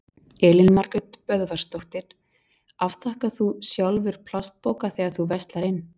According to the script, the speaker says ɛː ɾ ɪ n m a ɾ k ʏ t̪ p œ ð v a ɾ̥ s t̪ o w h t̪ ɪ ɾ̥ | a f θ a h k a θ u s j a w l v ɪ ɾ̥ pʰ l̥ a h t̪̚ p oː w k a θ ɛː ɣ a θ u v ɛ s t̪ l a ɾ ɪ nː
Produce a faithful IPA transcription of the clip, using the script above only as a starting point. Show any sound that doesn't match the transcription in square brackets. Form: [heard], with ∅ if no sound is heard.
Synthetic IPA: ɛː [l] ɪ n m a ɾ k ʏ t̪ p œ ð v a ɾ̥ s t̪ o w h t̪ ɪ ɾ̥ | a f θ a h k a θ u s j a w l v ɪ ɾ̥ pʰ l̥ a [s] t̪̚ p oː w k a θ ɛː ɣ a θ u v ɛ s t̪ l a ɾ ɪ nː